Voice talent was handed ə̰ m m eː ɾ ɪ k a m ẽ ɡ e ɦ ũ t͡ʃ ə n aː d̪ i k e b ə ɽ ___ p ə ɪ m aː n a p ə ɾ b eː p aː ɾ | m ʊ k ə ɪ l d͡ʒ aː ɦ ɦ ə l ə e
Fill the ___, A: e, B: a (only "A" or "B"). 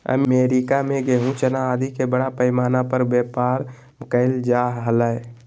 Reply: B